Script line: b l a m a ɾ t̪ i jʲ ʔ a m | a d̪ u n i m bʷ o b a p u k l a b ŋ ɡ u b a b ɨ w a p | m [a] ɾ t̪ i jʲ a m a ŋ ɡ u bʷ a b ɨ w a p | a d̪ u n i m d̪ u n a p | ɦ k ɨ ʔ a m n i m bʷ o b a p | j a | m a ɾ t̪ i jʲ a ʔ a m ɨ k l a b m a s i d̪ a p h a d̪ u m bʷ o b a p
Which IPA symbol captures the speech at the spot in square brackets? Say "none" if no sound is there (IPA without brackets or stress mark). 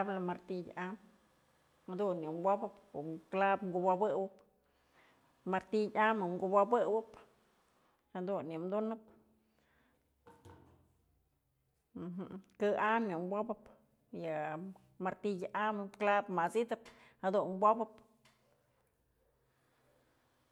a